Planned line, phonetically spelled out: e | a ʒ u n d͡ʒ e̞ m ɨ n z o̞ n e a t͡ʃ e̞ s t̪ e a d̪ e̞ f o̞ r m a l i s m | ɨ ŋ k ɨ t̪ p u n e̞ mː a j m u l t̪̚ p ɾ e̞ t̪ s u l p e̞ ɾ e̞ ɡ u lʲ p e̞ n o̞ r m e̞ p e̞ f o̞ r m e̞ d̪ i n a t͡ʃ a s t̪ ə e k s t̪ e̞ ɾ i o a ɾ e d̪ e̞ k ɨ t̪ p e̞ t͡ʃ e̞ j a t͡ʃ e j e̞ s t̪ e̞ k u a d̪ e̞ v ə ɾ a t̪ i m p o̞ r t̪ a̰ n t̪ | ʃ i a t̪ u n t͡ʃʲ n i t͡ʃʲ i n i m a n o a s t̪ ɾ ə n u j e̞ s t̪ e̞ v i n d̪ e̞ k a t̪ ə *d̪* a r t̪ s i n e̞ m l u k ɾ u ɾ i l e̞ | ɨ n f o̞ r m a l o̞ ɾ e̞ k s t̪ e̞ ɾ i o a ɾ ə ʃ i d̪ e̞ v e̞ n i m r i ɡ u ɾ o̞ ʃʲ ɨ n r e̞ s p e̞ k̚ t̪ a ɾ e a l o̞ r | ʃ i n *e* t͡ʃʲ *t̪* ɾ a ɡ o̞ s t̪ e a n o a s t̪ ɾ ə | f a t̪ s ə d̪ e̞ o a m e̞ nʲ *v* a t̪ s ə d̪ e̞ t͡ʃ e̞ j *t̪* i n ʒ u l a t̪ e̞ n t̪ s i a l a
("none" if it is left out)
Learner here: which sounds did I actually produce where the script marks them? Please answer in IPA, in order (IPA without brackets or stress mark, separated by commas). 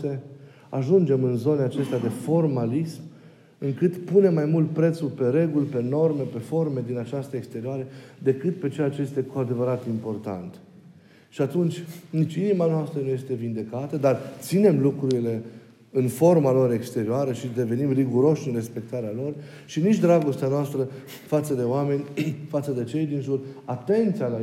d̪, i, d̪, f, d̪